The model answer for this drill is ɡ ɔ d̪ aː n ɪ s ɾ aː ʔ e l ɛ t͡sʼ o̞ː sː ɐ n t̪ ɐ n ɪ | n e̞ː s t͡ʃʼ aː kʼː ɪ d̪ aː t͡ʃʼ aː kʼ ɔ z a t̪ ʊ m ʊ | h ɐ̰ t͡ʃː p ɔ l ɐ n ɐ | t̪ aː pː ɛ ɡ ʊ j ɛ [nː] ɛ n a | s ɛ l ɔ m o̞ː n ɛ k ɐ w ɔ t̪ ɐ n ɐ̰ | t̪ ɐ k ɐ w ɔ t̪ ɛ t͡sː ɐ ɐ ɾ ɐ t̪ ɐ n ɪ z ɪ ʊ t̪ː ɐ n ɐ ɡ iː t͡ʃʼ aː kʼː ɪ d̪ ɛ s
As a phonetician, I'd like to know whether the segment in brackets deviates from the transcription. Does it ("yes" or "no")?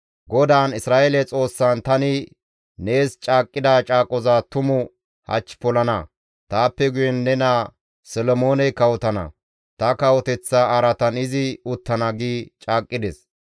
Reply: no